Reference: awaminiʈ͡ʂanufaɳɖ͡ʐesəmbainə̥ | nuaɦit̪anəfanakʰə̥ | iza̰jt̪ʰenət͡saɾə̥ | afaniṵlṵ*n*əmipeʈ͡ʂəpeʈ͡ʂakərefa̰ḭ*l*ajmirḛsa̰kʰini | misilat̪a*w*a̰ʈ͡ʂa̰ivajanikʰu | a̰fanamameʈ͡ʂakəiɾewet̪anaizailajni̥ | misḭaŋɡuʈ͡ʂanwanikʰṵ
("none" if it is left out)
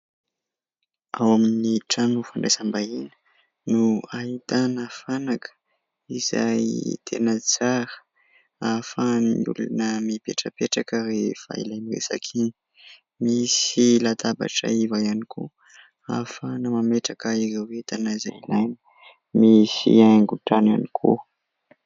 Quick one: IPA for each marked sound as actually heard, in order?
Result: n, l, b

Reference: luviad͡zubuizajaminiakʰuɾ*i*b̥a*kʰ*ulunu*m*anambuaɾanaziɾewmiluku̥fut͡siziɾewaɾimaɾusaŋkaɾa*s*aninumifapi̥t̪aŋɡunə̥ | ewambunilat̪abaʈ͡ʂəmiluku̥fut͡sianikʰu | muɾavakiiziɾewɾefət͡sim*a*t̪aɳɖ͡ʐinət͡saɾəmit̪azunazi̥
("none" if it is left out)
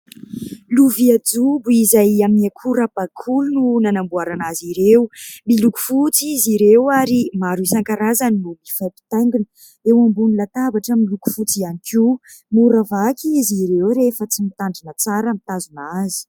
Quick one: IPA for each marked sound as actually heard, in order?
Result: a, kʰ, n, z, i

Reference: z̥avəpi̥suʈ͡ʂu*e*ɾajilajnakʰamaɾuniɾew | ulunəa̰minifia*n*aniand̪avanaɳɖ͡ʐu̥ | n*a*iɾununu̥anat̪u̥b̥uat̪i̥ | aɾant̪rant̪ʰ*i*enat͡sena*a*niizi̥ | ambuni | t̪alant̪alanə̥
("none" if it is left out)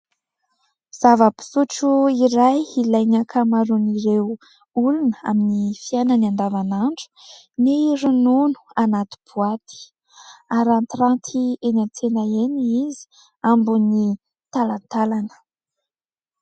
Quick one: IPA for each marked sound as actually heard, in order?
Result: i, n, e, i, e

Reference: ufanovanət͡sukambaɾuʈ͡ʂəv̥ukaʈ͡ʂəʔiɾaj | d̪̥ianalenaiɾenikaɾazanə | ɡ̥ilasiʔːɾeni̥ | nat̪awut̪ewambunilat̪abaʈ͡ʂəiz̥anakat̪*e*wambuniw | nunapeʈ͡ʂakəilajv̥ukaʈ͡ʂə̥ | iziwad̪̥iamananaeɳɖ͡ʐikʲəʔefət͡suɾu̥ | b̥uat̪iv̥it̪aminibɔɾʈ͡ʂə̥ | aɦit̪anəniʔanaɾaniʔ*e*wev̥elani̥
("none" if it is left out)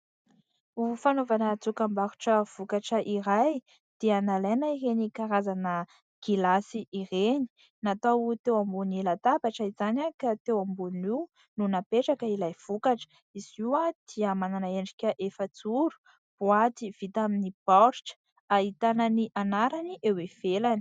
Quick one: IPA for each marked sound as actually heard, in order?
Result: e, e

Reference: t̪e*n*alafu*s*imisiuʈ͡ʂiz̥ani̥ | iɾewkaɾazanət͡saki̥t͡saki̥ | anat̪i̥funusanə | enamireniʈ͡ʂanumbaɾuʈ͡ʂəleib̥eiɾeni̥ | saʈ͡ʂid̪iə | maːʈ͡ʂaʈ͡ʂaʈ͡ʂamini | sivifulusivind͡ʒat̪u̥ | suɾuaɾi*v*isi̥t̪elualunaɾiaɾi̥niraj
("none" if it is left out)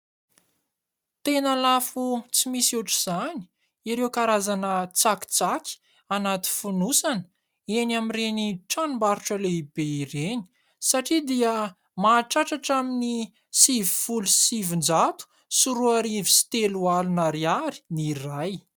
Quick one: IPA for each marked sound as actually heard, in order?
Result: n, t͡s, v

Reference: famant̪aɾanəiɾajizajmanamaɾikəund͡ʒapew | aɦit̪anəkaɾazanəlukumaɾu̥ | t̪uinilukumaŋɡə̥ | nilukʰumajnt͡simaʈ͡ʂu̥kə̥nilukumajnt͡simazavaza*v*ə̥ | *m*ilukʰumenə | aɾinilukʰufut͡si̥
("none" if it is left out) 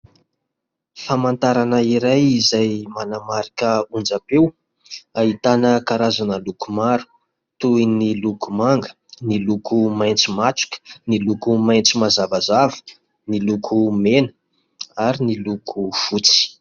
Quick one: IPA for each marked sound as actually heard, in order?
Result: v, n

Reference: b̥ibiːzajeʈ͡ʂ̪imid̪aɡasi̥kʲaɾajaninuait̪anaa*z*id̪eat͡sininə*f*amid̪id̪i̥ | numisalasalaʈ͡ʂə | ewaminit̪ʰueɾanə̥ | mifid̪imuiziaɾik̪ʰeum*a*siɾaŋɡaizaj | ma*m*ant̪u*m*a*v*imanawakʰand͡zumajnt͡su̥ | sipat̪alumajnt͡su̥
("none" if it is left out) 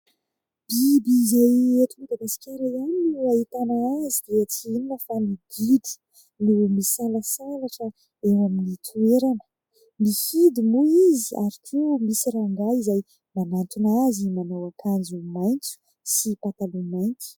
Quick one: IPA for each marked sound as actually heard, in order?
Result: z, f, i, n, n, z

